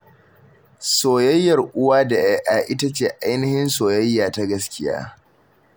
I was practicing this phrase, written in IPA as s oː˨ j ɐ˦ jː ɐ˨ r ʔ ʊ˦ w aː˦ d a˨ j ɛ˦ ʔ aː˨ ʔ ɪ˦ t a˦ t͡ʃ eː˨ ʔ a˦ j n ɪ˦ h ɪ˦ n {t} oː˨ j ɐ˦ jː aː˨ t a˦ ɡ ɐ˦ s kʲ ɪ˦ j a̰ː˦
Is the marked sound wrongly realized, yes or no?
yes